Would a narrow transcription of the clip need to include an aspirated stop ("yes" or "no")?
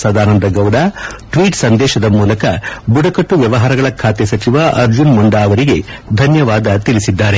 yes